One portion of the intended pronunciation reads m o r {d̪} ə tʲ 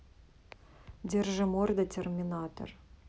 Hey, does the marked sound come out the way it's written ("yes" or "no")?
yes